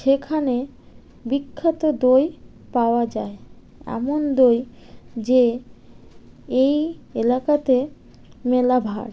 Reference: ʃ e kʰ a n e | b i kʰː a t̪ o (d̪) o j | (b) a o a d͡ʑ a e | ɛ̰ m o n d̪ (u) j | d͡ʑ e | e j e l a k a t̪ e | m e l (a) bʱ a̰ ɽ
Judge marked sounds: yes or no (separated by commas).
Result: yes, no, no, yes